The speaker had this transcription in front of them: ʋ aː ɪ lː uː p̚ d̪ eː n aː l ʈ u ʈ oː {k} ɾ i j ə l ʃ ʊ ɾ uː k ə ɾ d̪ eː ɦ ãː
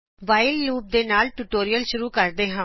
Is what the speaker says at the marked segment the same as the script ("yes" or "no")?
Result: no